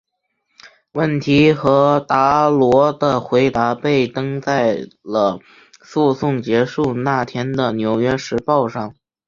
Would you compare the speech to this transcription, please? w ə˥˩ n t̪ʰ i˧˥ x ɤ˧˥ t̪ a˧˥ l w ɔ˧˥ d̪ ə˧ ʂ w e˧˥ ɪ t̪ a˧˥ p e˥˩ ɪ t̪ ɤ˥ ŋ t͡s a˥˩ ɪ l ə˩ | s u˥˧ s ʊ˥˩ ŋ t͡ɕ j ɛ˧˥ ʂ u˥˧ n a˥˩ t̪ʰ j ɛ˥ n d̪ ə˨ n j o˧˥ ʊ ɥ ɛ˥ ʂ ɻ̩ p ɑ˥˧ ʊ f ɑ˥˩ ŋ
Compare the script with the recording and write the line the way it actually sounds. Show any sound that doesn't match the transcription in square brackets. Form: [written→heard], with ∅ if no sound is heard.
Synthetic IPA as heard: w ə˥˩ n t̪ʰ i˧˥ x ɤ˧˥ t̪ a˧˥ l w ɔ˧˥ d̪ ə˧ [ʂ→x] w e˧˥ ɪ t̪ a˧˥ p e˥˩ ɪ t̪ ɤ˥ ŋ t͡s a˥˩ ɪ l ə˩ | s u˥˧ s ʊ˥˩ ŋ t͡ɕ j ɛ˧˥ ʂ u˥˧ n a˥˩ t̪ʰ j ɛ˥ n d̪ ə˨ n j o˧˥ ʊ ɥ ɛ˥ ʂ ɻ̩ p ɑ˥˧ ʊ [f→ʂ] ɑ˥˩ ŋ